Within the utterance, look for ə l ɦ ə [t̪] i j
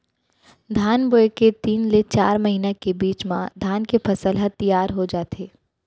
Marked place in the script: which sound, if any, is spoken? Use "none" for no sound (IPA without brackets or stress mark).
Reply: t̪